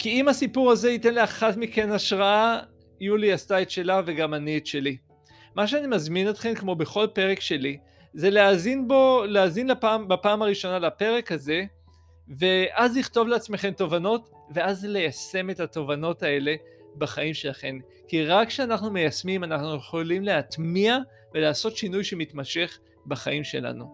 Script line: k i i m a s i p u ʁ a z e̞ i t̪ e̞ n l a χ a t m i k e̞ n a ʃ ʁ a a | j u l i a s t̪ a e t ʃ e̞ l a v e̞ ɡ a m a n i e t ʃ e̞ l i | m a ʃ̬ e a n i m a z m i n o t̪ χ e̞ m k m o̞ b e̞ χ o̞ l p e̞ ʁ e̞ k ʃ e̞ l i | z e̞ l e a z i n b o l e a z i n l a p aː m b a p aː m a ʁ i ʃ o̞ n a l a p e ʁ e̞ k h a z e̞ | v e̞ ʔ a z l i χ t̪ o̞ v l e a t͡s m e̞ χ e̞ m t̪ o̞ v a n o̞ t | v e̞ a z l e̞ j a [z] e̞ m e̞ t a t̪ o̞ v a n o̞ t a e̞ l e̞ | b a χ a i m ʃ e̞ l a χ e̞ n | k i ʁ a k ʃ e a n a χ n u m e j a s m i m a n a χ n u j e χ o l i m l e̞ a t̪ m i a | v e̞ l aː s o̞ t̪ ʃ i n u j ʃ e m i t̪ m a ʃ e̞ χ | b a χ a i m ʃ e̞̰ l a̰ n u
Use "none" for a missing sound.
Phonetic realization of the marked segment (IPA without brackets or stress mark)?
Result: s